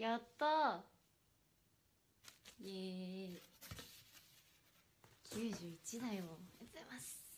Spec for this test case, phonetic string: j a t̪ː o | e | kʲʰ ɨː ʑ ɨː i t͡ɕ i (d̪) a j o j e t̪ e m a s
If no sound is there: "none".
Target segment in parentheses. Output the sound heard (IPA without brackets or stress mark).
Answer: d̪